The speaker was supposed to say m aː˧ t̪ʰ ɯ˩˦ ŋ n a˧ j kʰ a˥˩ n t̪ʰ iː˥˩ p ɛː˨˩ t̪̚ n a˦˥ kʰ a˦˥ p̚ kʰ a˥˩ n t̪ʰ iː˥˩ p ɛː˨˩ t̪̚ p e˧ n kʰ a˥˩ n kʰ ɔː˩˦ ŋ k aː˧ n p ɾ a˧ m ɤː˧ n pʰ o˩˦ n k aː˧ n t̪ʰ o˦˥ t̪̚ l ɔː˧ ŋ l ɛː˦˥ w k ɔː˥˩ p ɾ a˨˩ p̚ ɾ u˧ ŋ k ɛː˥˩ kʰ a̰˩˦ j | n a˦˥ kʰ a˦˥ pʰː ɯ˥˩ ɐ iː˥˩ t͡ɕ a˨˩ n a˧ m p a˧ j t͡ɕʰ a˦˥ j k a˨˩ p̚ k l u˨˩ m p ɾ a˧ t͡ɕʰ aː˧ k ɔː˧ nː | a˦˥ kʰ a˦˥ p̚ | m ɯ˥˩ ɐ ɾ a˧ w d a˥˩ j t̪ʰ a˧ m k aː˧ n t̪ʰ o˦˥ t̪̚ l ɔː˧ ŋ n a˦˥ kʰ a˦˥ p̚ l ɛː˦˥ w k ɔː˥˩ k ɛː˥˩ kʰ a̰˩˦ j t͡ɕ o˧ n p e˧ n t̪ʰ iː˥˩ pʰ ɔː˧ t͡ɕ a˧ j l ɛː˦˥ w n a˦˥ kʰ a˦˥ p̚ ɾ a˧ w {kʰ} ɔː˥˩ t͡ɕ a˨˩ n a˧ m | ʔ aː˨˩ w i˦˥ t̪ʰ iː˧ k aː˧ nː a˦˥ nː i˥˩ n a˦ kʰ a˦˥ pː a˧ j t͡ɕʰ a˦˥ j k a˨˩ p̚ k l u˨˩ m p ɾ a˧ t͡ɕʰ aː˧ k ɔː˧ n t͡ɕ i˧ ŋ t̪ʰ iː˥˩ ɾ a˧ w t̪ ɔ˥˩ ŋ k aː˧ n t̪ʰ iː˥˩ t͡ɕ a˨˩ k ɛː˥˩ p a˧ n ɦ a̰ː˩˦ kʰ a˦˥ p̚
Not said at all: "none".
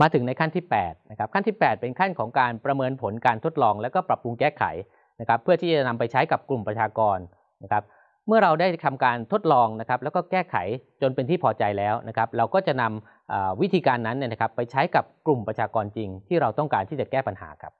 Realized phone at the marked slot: k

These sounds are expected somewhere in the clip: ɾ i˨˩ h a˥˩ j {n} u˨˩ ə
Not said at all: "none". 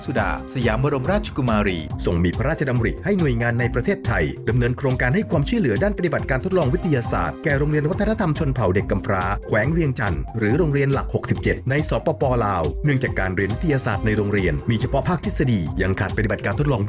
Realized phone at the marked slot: n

